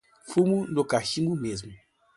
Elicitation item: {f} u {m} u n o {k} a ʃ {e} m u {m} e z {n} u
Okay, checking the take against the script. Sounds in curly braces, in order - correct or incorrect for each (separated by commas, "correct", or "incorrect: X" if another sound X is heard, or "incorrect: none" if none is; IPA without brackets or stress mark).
correct, correct, correct, incorrect: i, correct, incorrect: m